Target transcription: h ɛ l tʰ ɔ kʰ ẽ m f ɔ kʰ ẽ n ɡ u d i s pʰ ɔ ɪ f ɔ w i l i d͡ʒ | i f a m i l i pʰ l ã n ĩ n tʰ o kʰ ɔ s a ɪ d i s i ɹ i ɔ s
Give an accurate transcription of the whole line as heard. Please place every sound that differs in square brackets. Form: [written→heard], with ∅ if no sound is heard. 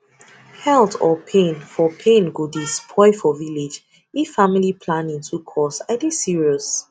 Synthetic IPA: h ɛ l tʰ ɔ [kʰ→pʰ] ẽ [m→n] f ɔ [kʰ→pʰ] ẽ n ɡ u d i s pʰ ɔ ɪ f ɔ [w→v] i l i d͡ʒ | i f a m i l i pʰ l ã n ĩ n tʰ [o→u] kʰ ɔ s a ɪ d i s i ɹ i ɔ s